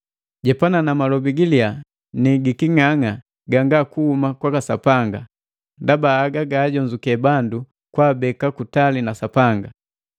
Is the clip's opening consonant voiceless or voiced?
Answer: voiced